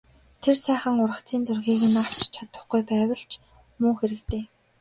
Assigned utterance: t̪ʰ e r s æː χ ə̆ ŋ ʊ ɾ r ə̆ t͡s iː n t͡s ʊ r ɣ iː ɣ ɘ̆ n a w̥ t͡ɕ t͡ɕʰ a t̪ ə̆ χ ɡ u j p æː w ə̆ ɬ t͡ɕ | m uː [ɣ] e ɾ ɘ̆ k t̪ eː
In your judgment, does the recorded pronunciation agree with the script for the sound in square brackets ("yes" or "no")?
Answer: no